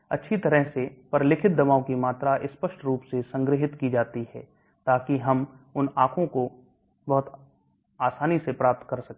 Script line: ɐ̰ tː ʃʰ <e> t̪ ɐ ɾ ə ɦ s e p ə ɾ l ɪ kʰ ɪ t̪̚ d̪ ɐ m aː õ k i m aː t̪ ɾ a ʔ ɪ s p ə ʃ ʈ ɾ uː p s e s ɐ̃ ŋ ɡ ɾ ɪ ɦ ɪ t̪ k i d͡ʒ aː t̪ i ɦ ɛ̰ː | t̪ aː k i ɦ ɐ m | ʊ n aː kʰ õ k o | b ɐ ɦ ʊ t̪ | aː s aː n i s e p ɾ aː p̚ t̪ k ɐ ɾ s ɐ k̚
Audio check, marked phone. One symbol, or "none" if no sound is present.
i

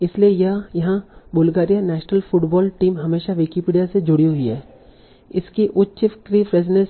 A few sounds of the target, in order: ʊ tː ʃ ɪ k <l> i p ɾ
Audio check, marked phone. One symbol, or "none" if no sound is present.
ɾ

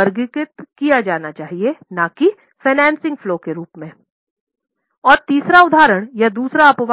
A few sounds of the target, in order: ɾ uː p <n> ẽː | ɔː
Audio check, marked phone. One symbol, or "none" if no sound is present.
m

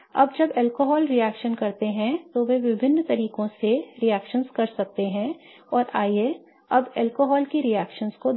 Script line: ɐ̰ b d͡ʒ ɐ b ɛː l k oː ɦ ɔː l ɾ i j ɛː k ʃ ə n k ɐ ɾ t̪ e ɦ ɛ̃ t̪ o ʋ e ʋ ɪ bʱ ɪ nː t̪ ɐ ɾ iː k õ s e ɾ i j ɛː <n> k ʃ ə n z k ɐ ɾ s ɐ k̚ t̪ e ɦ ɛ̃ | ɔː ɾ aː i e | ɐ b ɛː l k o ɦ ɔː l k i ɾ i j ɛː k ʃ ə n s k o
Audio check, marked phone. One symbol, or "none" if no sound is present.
none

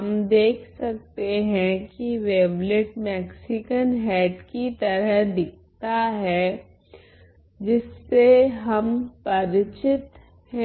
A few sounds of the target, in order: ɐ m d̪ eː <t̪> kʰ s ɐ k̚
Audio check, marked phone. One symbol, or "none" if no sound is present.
none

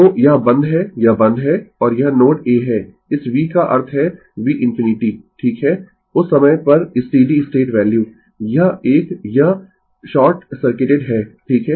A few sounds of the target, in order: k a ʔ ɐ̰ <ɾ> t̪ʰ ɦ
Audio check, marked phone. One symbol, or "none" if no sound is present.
ɾ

